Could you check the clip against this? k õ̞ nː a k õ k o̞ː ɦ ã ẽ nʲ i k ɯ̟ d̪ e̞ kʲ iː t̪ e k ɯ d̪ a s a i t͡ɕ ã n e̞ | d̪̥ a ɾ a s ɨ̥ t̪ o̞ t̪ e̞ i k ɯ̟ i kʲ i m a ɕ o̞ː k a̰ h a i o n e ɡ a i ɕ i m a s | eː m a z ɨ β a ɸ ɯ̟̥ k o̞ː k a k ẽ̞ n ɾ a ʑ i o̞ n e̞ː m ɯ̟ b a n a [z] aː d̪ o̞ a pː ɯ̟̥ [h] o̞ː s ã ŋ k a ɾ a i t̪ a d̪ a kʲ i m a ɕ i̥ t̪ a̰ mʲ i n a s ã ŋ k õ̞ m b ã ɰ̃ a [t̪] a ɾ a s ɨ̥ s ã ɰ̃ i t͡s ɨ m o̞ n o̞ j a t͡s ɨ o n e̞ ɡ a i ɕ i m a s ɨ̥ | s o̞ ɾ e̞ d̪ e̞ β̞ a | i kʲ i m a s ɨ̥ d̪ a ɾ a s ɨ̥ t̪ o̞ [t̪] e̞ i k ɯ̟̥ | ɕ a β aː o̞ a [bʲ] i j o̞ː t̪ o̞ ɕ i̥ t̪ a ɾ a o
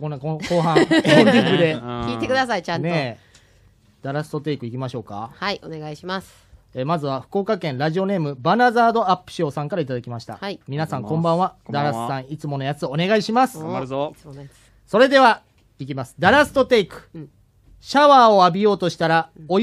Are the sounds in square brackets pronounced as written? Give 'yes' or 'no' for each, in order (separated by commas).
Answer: yes, no, no, yes, yes